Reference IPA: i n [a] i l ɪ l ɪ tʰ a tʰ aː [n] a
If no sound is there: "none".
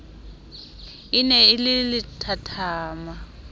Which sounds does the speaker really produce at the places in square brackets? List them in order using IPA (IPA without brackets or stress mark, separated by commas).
ɛ, m